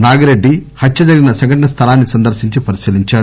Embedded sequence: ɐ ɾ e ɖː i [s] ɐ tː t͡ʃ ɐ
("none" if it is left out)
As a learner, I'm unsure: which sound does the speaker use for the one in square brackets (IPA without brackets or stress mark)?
h